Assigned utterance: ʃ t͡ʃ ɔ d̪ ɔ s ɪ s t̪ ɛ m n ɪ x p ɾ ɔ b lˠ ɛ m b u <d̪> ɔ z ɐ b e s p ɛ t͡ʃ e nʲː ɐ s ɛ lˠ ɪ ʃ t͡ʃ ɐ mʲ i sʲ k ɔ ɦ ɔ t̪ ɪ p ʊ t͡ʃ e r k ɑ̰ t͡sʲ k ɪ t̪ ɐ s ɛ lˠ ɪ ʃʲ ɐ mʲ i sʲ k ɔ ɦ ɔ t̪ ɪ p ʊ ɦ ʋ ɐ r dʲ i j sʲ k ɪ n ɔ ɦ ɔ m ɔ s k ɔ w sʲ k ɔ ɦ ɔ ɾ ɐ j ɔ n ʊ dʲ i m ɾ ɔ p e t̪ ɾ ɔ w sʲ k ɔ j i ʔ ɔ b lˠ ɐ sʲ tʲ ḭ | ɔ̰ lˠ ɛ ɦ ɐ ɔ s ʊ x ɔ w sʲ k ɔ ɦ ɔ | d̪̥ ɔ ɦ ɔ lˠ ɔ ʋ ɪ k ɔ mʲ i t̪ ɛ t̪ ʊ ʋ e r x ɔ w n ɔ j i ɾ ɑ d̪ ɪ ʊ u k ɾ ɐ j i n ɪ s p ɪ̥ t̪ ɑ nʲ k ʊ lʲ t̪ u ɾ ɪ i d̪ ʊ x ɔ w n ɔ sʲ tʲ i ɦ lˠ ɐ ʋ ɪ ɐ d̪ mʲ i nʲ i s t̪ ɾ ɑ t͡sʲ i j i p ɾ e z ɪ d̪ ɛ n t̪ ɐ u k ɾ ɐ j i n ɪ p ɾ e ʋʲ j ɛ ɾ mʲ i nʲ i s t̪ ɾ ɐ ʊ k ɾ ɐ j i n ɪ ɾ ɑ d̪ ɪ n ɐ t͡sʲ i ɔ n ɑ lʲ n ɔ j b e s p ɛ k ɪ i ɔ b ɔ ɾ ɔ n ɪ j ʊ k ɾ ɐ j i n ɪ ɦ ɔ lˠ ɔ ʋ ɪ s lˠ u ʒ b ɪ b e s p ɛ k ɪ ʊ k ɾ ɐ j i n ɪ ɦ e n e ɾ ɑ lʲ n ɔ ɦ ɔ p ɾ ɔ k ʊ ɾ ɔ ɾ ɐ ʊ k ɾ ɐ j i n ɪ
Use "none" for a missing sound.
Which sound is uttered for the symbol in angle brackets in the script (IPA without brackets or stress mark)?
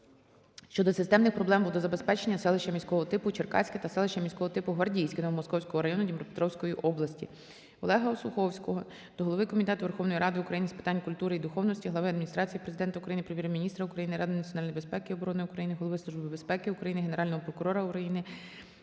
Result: d̪